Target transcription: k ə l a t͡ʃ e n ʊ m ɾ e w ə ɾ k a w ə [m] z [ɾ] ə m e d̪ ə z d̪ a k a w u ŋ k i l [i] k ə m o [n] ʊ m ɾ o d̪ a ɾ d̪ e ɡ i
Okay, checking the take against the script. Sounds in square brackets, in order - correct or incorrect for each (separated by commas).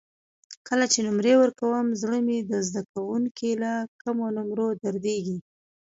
correct, incorrect, incorrect, correct